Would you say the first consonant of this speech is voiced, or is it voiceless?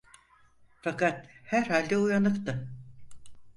voiceless